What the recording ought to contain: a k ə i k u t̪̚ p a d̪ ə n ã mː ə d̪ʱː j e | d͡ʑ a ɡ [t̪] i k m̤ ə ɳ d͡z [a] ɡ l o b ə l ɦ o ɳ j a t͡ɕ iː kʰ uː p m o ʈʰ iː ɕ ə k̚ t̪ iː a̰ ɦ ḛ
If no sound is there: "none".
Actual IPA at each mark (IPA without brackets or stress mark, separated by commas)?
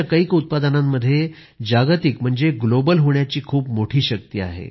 t̪, e